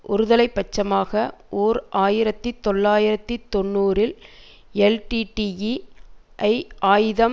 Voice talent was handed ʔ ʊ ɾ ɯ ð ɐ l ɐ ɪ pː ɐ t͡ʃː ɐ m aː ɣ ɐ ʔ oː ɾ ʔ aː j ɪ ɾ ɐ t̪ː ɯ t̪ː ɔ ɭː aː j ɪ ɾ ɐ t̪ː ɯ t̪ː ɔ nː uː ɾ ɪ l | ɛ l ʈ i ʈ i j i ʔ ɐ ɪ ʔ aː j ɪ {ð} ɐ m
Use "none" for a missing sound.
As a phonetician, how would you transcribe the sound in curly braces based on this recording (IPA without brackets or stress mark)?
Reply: ð